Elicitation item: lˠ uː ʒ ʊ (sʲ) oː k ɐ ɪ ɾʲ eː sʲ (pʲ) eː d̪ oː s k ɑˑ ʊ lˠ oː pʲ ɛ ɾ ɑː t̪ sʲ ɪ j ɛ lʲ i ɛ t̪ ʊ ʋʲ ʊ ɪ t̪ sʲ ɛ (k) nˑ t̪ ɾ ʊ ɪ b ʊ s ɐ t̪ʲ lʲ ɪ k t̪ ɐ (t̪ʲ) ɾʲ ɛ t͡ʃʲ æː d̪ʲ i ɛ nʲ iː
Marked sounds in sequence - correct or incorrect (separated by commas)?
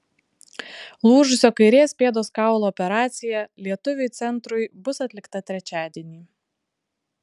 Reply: correct, correct, incorrect, correct